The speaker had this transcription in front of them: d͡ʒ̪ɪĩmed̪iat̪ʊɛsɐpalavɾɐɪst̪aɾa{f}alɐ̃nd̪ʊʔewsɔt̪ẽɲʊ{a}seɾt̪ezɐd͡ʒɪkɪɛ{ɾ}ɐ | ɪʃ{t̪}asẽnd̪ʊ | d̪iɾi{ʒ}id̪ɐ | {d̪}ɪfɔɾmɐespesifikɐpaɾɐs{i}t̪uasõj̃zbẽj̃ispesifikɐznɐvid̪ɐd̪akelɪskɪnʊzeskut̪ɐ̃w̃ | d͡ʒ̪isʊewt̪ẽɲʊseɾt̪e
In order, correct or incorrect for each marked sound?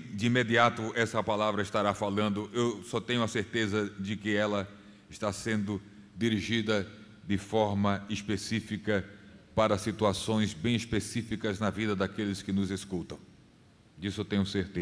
correct, incorrect: ɐ, incorrect: l, correct, correct, correct, correct

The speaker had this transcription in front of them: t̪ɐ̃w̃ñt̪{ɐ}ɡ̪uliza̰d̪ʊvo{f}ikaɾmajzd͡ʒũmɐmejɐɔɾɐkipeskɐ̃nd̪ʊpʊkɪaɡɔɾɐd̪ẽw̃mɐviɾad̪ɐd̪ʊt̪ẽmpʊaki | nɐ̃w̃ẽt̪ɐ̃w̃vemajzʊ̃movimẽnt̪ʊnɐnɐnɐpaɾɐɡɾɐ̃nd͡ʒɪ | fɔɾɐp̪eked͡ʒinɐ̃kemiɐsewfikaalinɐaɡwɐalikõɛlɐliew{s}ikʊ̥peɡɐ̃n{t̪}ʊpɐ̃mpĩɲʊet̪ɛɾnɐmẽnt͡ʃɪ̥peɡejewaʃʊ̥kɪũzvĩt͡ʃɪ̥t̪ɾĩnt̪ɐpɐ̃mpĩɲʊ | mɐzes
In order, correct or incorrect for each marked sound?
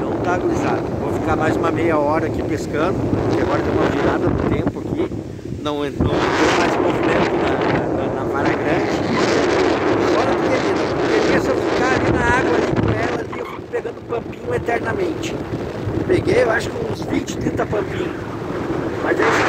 incorrect: a, correct, incorrect: f, incorrect: d̪

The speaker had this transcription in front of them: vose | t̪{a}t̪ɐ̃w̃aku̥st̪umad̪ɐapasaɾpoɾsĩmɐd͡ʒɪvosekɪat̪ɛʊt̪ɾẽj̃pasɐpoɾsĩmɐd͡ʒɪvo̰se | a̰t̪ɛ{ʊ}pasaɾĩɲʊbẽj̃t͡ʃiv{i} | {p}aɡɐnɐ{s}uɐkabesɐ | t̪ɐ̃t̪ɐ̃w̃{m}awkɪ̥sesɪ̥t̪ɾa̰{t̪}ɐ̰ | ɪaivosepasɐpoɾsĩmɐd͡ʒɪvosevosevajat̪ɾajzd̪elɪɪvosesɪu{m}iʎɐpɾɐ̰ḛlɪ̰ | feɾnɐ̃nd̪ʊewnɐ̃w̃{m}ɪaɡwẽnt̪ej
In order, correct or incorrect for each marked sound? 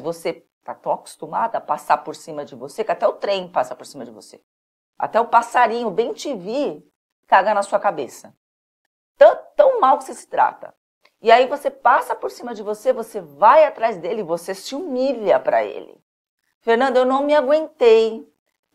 correct, correct, correct, incorrect: k, correct, correct, correct, correct, correct

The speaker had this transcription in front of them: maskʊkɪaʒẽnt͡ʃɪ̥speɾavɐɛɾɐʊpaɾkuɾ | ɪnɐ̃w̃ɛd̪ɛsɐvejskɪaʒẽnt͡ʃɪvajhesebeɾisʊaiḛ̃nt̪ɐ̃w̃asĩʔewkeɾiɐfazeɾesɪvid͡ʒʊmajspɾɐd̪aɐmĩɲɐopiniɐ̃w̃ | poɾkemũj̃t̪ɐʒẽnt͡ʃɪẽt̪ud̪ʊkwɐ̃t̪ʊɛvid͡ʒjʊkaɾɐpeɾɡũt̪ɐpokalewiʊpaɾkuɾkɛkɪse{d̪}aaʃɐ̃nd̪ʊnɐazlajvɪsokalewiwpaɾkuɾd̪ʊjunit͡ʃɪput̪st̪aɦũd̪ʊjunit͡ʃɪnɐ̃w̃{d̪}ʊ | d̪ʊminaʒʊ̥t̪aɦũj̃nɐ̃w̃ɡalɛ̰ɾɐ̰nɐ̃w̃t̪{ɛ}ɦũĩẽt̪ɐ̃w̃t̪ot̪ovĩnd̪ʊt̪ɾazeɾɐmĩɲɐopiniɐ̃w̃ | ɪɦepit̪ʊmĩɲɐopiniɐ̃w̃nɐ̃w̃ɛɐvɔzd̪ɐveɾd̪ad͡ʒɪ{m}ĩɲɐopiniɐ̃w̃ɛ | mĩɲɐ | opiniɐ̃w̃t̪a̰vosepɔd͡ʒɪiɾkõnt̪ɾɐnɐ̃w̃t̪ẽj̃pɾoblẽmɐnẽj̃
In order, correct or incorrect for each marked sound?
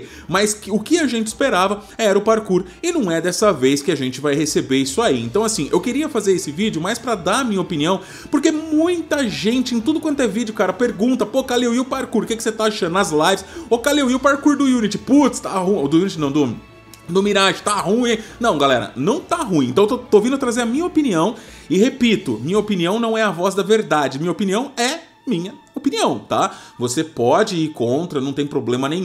incorrect: t̪, correct, incorrect: a, correct

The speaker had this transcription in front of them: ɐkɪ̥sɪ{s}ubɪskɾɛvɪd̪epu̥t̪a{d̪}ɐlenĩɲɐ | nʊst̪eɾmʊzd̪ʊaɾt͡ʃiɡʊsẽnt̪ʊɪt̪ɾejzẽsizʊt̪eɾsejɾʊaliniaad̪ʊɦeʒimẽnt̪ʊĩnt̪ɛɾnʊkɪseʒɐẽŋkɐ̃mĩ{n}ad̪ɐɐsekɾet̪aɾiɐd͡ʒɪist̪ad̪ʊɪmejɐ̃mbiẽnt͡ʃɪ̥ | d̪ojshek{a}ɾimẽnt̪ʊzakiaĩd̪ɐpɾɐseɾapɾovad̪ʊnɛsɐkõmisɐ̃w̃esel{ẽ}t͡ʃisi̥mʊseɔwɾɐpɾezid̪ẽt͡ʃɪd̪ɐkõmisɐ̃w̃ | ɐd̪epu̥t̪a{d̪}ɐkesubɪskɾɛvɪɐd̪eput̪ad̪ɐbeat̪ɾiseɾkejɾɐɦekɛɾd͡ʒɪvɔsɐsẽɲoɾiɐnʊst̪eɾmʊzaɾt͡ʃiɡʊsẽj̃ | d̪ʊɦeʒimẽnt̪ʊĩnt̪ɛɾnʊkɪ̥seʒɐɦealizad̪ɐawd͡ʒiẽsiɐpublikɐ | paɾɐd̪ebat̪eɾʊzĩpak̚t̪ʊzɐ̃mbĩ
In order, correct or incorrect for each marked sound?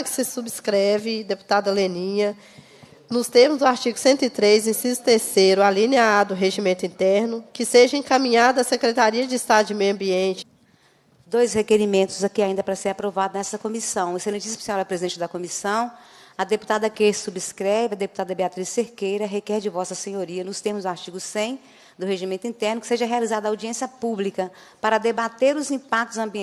correct, correct, incorrect: ɲ, incorrect: e, correct, correct

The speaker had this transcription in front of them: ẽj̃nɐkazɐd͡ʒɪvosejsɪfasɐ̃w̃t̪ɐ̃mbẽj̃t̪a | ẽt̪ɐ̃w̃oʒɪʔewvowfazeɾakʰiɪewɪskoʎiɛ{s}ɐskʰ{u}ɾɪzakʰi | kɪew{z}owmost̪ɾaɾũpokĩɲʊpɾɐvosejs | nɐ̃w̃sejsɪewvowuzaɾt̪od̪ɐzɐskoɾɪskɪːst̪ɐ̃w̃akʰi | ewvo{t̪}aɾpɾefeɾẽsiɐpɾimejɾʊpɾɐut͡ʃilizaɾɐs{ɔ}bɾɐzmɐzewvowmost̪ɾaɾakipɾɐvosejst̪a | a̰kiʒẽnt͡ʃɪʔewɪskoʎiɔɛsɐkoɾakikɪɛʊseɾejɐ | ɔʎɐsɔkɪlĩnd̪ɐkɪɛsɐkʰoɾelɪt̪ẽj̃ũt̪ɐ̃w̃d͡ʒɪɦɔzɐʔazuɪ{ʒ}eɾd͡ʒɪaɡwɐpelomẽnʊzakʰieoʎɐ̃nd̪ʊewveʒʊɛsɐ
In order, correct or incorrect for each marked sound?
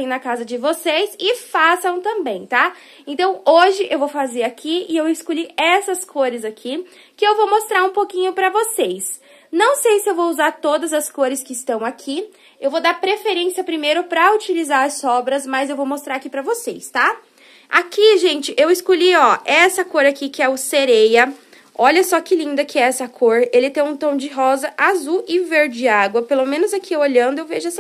correct, incorrect: o, incorrect: v, incorrect: d̪, correct, incorrect: v

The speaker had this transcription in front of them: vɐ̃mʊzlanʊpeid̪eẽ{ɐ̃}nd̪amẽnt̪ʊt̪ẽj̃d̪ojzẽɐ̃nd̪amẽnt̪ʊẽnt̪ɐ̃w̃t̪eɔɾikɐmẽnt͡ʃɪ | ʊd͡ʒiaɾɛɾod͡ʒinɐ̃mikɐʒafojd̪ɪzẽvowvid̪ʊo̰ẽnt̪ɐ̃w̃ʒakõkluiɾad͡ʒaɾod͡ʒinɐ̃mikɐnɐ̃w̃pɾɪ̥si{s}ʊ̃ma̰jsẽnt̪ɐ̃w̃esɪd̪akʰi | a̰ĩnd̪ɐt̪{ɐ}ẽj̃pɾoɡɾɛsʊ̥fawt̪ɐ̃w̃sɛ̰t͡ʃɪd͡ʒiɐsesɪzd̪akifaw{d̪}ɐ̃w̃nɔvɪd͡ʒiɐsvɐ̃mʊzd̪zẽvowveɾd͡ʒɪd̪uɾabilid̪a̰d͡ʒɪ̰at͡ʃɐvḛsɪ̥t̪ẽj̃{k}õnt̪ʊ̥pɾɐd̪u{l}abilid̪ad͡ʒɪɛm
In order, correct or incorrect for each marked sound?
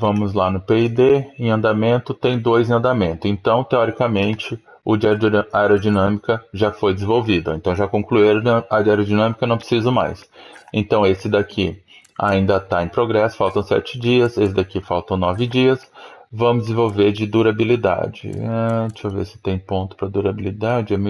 correct, incorrect: z, incorrect: a, incorrect: t̪, incorrect: p, incorrect: ɾ

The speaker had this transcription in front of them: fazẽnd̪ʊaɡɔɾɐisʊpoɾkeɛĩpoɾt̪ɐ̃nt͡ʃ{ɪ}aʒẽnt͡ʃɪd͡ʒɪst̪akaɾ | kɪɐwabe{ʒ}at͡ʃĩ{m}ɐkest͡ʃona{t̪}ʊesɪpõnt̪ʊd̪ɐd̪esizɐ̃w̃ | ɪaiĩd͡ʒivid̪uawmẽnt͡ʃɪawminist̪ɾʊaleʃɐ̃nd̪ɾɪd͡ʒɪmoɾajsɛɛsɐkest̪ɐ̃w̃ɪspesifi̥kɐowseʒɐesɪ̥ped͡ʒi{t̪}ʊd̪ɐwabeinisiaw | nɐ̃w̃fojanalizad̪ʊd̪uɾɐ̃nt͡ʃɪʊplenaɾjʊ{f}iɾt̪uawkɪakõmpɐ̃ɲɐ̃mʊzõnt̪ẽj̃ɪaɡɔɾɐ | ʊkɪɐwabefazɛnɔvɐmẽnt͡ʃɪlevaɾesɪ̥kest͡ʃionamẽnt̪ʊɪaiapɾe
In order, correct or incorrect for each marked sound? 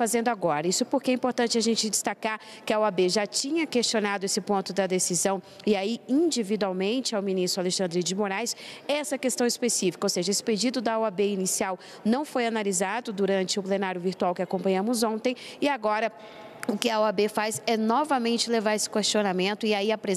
correct, correct, incorrect: ɲ, incorrect: d̪, incorrect: d̪, incorrect: v

